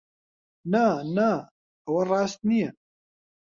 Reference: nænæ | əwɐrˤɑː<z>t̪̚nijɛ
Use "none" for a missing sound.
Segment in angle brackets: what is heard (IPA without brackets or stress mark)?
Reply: s